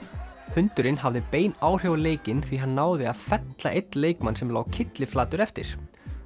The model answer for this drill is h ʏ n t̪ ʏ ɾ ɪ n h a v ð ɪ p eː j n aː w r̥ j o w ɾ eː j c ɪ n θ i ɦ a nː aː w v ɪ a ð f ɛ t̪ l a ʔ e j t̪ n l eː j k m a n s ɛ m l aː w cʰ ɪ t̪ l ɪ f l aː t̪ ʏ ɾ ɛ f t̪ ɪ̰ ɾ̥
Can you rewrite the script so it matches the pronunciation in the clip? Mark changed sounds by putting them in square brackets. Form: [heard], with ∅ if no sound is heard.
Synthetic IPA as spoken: h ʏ n t̪ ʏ ɾ ɪ n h a v ð ɪ p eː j n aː w r̥ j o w [l] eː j c ɪ n θ i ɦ a nː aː w [ð] ɪ a ð f ɛ t̪ l a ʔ e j t̪ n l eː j k m a n s ɛ m l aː w cʰ ɪ t̪ l ɪ f l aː t̪ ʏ ɾ ɛ f t̪ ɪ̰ ɾ̥